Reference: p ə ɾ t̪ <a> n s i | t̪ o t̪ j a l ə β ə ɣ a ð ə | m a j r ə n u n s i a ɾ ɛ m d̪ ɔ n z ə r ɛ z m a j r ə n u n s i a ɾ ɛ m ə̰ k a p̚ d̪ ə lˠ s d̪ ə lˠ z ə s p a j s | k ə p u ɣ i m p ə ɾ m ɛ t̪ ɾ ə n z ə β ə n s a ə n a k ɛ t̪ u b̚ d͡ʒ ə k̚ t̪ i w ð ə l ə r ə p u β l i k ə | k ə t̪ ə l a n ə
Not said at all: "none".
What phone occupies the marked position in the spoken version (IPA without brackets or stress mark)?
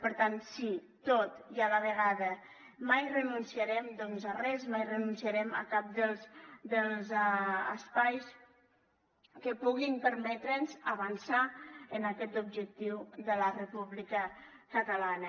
a